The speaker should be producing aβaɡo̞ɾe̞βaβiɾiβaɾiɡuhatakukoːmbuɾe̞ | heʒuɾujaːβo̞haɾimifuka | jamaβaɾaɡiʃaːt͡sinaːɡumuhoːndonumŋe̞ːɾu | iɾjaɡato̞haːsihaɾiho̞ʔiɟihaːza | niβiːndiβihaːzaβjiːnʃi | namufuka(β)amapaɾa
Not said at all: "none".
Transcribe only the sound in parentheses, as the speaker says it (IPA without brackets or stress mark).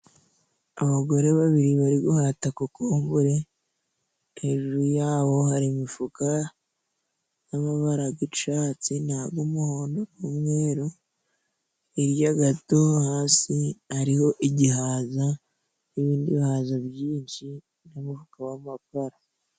w